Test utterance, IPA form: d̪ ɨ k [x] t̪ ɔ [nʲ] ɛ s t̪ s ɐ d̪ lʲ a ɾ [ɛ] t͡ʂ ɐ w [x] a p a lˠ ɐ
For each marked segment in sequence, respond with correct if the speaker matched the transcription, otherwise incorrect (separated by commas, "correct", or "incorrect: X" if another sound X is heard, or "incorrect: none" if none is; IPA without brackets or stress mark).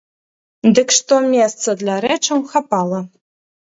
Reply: incorrect: ʂ, incorrect: mʲ, correct, correct